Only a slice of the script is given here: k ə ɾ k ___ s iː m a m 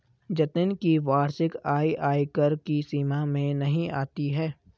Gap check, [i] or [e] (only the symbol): i